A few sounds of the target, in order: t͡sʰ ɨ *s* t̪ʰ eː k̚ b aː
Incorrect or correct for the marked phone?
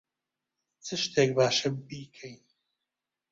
incorrect: ʃ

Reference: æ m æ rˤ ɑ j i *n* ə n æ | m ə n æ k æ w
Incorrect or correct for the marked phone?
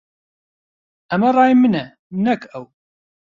incorrect: m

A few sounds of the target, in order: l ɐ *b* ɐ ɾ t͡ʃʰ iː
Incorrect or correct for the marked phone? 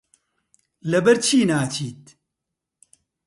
correct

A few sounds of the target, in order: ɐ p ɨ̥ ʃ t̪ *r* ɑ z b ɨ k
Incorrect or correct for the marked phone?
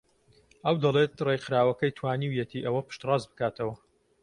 correct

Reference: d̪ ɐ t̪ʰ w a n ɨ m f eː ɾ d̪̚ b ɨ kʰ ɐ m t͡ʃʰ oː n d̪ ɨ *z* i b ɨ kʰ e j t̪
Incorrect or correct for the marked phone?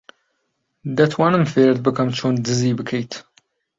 correct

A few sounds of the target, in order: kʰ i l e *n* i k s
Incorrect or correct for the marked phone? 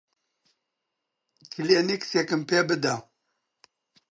correct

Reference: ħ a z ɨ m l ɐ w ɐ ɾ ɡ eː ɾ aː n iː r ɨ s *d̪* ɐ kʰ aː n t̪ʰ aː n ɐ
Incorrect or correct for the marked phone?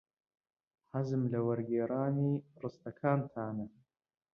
incorrect: t̪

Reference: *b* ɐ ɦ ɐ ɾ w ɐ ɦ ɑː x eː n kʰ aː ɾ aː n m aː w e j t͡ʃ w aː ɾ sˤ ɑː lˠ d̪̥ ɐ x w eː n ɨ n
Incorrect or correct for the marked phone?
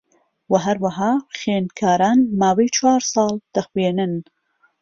incorrect: w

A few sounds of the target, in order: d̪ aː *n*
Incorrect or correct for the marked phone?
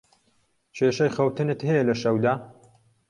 incorrect: none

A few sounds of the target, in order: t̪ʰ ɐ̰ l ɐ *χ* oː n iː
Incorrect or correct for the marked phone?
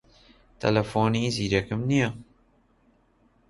incorrect: f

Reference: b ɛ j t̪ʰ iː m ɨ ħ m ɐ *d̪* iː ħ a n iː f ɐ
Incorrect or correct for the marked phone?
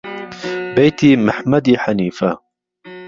correct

